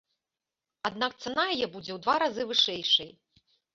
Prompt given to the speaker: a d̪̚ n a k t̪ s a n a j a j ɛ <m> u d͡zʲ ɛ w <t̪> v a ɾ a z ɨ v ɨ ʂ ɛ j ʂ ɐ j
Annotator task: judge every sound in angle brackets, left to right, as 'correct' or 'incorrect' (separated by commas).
incorrect, incorrect